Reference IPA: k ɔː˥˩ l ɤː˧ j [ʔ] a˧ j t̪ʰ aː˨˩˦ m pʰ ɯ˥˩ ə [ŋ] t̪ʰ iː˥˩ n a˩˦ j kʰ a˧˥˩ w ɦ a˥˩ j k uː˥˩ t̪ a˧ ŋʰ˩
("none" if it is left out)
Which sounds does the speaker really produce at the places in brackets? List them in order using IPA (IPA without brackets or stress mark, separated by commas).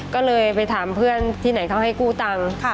p, n